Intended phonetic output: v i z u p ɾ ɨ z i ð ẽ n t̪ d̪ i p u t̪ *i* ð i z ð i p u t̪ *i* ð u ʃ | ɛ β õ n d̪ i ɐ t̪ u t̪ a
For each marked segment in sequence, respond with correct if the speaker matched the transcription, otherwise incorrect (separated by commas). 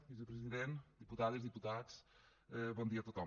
incorrect, incorrect